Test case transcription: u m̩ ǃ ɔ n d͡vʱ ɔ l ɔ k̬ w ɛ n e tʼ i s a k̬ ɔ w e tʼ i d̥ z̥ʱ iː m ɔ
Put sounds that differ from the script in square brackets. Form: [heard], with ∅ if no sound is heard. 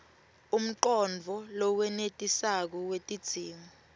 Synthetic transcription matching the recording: u m̩ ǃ ɔ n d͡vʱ ɔ l ɔ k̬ w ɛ n e tʼ i s a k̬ ɔ w e tʼ i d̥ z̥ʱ iː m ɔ